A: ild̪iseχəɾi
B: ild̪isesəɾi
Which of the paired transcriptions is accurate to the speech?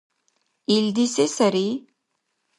B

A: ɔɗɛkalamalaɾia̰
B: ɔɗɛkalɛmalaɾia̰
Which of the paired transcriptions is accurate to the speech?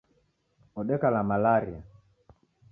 A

